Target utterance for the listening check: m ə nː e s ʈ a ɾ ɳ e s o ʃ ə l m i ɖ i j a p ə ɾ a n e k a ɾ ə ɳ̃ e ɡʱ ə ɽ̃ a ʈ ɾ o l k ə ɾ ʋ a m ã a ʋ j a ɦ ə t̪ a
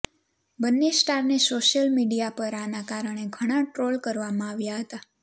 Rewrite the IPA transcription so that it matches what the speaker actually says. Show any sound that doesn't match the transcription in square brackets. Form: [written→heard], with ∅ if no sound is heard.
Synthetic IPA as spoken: [m→b] ə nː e s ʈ a ɾ [ɳ→n] e s o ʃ ə l m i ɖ i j a p ə ɾ a n [e→a] k a ɾ ə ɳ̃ e ɡʱ ə ɽ̃ a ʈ ɾ o l k ə ɾ ʋ a m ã a ʋ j a ɦ ə t̪ a